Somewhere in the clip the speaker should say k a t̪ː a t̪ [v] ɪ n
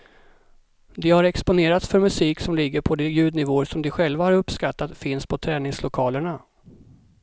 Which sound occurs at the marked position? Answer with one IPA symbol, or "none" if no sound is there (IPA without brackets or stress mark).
f